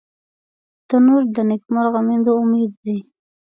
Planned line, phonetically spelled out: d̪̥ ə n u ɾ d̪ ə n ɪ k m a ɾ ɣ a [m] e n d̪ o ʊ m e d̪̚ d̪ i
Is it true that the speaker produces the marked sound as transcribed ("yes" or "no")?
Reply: yes